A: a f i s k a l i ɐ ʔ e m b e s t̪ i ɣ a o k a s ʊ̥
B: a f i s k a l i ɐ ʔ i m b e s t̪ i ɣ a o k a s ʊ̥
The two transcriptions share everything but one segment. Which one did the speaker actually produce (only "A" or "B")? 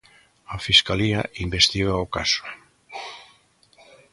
B